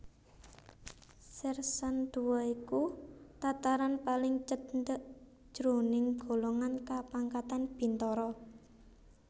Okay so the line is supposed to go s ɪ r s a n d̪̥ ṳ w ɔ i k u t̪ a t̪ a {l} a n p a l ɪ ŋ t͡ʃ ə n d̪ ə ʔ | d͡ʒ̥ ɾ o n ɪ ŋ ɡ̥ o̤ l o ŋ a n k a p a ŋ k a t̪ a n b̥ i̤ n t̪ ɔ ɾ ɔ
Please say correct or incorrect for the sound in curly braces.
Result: incorrect